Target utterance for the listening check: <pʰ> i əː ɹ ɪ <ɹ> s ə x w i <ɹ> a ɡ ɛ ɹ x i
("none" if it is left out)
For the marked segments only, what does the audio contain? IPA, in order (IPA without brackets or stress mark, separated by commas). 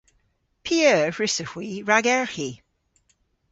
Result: pʰ, none, ɹ